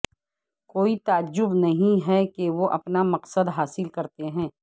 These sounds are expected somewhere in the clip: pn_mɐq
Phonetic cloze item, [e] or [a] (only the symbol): a